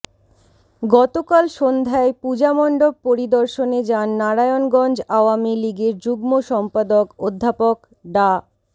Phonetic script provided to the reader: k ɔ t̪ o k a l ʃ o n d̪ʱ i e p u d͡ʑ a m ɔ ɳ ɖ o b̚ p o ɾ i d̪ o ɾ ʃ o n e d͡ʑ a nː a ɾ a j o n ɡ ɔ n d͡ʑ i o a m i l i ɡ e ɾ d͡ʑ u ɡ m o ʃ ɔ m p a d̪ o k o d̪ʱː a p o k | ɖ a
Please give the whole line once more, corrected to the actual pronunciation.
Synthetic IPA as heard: ɡ ɔ t̪ o k a l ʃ o n d̪ʱ a e p u d͡ʑ a m ɔ ɳ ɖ o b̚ p o ɾ i d̪ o ɾ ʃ o n e d͡ʑ a nː a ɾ a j o n ɡ ɔ n d͡ʑ a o a m i l i ɡ e ɾ d͡ʑ u ɡ m o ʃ ɔ m p a d̪ o k o d̪ʱː a p o k | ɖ a